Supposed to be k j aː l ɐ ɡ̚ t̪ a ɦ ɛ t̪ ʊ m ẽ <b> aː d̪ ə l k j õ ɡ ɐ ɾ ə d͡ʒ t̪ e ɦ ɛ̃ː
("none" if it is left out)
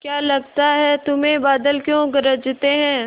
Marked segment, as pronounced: b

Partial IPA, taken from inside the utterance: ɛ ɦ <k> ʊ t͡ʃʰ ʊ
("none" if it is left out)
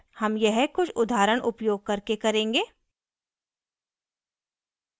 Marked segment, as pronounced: k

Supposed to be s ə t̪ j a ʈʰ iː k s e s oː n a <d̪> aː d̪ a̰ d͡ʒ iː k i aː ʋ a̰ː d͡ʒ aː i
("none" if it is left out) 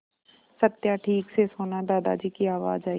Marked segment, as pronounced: d̪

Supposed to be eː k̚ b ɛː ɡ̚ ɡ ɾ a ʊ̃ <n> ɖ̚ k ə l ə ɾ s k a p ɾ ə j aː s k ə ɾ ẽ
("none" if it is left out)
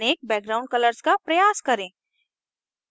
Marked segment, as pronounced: ɳ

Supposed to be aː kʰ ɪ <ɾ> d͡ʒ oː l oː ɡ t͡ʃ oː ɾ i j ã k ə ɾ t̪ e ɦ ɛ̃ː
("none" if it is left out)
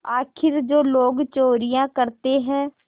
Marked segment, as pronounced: ɾ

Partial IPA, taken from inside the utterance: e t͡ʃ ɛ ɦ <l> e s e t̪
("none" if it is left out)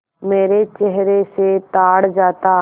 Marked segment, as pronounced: ɾ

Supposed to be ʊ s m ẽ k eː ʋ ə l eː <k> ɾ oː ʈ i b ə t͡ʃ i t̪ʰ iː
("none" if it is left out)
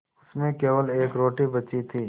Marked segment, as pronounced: k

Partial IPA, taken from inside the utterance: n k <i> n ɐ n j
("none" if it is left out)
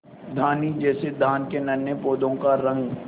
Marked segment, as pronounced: e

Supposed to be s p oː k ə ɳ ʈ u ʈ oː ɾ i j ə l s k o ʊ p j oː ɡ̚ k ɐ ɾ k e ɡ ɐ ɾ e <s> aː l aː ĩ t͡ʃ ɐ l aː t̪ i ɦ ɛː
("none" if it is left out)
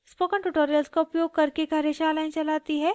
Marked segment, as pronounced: ʃ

